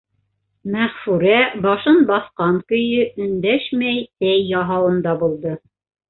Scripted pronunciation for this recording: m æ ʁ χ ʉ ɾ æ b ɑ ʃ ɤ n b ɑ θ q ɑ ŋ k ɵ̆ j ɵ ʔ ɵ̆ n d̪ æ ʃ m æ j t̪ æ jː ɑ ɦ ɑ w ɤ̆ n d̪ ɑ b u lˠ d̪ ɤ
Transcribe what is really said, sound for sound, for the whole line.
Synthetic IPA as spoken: m æ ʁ f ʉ ɾ æ b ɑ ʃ ɤ n b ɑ θ q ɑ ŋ k ɵ̆ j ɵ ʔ ɵ̆ n d̪ æ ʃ m æ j t̪ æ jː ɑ ɦ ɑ w ɤ̆ n d̪ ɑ b u lˠ d̪ ɤ